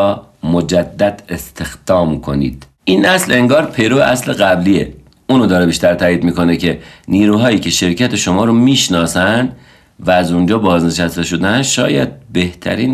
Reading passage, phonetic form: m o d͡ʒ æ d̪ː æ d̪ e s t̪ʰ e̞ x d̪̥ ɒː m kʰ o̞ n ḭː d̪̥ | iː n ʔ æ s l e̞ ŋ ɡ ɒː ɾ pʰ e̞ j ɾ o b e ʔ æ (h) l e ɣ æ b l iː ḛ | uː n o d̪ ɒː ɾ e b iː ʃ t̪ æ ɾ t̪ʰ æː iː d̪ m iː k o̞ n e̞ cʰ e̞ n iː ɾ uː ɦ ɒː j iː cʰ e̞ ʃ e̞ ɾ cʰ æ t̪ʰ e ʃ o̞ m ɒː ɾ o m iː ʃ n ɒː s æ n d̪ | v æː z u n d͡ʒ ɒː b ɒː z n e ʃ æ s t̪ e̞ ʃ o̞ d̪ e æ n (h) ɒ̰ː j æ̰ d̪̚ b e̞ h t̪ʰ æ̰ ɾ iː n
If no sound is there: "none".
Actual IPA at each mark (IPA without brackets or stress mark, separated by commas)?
s, ʃ